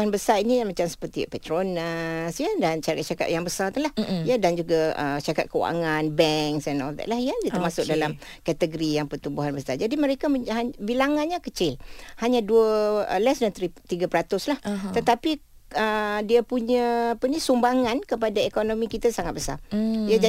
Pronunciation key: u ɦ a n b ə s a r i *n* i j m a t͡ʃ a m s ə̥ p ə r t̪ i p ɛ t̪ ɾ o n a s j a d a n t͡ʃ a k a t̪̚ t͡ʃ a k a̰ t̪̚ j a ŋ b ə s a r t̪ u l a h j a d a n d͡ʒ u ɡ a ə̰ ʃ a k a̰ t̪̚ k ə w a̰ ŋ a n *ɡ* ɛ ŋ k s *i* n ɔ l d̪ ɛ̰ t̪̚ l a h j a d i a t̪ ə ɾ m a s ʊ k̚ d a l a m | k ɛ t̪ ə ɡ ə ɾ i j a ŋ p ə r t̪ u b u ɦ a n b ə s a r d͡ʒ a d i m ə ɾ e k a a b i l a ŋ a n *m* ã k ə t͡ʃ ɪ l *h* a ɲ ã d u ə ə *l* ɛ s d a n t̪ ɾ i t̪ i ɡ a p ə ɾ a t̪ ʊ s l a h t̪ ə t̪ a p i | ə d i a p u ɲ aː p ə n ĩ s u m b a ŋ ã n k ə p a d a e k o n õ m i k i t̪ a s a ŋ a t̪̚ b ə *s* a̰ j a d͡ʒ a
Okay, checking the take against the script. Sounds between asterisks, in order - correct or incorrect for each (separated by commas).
correct, incorrect, incorrect, incorrect, correct, correct, correct